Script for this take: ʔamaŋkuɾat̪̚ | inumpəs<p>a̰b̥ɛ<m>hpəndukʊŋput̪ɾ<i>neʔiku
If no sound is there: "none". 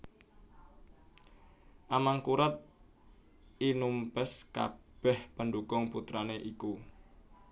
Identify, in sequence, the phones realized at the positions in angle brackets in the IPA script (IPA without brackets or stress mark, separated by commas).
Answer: k, none, a